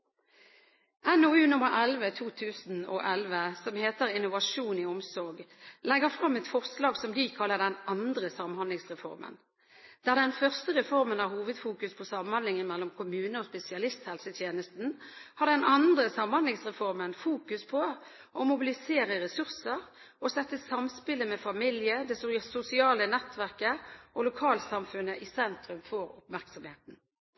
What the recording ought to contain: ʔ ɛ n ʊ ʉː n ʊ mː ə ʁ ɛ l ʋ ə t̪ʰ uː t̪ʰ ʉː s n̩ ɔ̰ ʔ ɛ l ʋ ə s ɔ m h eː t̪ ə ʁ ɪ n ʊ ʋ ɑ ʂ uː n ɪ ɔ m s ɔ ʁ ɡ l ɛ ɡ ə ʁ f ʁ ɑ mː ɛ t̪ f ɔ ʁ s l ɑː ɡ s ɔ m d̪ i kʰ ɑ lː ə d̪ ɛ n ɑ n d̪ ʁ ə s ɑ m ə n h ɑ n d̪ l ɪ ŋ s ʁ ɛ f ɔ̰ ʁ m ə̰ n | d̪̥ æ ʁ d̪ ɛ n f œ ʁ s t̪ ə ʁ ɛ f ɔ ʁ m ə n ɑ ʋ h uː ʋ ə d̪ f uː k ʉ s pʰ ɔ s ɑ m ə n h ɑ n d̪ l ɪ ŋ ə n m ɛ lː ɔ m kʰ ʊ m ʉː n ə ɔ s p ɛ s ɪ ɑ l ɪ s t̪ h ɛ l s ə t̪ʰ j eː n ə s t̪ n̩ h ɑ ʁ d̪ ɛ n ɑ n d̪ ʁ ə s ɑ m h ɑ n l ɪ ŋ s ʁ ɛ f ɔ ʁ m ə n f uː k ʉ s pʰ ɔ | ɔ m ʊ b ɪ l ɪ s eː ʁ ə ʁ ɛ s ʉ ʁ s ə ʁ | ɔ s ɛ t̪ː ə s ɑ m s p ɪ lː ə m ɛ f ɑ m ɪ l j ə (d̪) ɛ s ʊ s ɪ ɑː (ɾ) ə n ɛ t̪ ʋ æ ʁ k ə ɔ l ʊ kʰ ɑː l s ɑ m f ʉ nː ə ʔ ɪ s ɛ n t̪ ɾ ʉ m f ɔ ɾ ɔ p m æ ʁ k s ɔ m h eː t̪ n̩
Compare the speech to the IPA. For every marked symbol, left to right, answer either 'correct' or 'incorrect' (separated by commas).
correct, incorrect